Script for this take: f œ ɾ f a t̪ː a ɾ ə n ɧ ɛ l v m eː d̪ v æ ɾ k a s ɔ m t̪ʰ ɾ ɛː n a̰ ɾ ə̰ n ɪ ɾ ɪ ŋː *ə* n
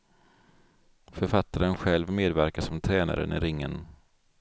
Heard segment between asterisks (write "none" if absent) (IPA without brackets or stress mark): ə